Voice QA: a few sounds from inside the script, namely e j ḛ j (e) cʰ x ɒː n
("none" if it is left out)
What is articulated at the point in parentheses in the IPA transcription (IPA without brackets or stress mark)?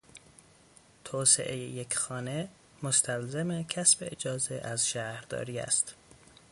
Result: e